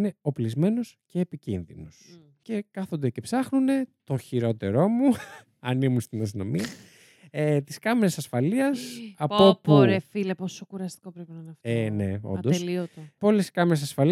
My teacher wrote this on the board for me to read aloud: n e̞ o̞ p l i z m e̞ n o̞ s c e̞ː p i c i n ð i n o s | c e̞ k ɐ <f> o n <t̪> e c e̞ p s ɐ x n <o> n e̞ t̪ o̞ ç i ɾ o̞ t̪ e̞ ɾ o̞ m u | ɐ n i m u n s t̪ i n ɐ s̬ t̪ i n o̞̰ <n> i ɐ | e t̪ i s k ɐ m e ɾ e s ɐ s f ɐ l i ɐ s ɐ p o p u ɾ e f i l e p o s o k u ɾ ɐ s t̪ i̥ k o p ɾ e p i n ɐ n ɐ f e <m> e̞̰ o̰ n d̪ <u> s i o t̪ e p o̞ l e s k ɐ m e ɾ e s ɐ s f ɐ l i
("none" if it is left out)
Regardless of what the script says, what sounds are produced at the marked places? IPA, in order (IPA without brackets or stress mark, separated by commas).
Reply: θ, d̪, u, m, n, o